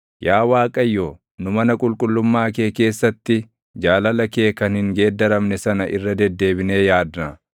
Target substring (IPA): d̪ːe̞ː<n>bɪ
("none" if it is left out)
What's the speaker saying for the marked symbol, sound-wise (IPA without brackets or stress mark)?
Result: none